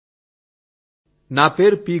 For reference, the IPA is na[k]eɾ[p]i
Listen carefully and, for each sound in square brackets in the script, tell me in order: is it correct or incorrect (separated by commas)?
incorrect, correct